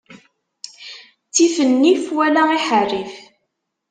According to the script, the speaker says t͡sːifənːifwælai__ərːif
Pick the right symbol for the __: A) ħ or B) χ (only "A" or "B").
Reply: A